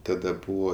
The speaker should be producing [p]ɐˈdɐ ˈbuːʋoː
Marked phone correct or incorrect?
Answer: incorrect: t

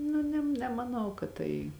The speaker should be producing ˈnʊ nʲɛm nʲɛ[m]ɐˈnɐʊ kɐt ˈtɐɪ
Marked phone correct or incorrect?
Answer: correct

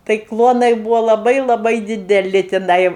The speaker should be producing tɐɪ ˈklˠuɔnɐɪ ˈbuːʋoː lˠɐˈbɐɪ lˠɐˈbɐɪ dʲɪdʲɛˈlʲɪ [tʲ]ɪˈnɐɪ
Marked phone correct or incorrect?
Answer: correct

